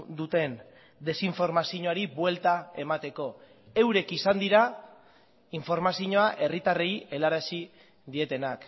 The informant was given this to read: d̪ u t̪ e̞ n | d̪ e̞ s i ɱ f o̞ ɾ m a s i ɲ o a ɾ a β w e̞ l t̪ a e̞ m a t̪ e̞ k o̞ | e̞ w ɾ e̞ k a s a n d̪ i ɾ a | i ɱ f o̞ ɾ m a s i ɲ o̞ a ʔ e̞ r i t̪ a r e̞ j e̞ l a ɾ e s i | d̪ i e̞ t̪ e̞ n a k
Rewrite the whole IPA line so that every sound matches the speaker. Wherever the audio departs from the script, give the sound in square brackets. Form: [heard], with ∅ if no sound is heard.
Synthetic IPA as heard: d̪ u t̪ e̞ n | d̪ e̞ s i ɱ f o̞ ɾ m a s i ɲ o a ɾ [i] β w e̞ l t̪ a e̞ m a t̪ e̞ k o̞ | e̞ w ɾ e̞ k [i] s a n d̪ i ɾ a | i ɱ f o̞ ɾ m a s i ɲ o̞ a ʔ e̞ r i t̪ a r e̞ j e̞ l a ɾ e s i | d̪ i e̞ t̪ e̞ n a k